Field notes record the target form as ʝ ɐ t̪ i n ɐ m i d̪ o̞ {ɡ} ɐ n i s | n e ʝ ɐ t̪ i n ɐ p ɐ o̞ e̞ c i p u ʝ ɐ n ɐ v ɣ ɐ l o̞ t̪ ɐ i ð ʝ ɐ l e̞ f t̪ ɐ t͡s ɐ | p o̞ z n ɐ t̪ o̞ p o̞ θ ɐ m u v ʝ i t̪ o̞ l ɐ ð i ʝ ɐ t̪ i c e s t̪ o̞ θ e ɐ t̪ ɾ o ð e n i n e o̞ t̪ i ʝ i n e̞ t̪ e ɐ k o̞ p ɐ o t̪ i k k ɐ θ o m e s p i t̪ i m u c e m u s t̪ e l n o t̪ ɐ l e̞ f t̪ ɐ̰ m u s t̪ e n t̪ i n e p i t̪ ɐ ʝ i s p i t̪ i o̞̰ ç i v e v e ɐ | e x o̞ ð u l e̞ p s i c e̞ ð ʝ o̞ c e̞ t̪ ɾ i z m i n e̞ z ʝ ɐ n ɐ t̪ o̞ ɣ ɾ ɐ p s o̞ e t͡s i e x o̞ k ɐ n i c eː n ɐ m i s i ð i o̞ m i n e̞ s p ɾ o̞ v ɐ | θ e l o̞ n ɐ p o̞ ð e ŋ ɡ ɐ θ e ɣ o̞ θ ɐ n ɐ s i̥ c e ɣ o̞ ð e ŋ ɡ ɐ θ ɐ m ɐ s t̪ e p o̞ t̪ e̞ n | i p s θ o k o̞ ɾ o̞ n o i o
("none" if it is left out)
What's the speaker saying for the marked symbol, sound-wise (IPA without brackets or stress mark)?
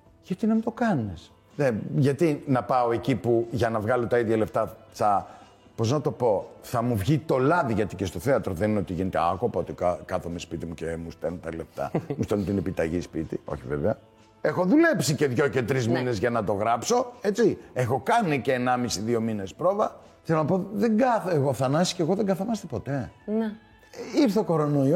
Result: k